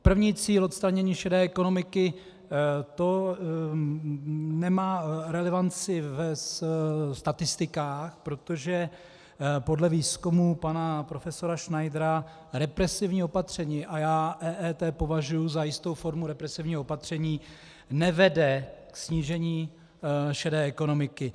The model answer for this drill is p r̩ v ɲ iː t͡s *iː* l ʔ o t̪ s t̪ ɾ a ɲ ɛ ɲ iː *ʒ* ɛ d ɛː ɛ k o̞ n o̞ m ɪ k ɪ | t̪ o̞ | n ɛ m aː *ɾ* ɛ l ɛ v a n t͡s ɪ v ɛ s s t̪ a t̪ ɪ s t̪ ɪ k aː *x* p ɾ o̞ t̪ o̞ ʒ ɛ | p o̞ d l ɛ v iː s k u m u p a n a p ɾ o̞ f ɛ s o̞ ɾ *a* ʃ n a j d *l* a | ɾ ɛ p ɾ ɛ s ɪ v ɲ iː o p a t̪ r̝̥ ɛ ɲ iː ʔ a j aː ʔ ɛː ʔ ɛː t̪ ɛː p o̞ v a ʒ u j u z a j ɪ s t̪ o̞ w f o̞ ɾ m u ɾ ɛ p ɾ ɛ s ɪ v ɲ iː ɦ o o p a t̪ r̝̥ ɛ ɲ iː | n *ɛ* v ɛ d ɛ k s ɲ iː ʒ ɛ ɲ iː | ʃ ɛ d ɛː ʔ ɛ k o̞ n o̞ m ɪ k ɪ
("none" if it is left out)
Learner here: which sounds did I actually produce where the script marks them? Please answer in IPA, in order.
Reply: iː, ʃ, ɾ, x, a, ɾ, ɛ

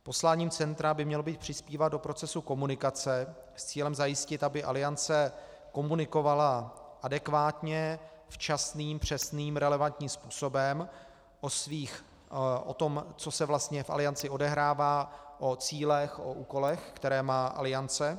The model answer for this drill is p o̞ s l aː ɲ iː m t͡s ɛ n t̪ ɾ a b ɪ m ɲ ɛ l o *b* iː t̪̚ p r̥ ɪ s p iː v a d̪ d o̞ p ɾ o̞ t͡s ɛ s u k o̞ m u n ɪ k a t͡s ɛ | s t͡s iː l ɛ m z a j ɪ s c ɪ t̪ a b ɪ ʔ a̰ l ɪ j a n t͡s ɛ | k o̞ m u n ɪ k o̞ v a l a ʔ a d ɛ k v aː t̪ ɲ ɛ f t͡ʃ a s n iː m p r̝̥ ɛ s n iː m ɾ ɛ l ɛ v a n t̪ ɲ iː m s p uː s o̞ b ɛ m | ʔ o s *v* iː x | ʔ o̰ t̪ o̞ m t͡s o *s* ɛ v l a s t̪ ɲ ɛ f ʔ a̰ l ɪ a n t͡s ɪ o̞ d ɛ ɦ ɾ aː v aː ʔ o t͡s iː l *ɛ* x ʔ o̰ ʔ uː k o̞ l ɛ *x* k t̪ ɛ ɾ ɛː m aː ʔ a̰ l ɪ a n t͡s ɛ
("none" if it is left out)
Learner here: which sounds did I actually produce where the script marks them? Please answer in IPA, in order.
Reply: b, v, s, ɛ, x

